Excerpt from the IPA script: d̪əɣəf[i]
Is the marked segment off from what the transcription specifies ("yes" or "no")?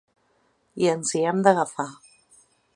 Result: yes